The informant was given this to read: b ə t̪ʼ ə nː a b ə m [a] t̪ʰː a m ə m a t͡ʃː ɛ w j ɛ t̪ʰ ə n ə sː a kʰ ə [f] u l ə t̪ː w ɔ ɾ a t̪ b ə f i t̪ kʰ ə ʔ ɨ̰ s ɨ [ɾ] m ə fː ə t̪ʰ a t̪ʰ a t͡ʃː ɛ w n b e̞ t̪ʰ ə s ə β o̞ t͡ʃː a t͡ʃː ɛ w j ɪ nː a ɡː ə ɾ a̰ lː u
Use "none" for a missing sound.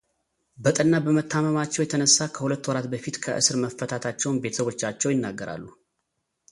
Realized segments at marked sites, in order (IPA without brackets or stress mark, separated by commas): ə, h, ɾ